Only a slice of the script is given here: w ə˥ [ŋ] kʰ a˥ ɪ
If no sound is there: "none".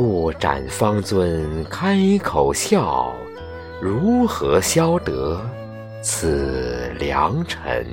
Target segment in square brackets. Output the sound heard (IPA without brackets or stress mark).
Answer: n